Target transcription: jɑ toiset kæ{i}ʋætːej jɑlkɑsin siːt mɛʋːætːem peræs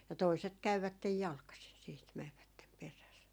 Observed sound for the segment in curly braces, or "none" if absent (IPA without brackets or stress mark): y